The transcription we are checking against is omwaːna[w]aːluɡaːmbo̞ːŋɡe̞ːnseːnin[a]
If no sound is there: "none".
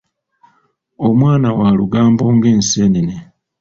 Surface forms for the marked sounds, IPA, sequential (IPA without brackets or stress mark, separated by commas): w, e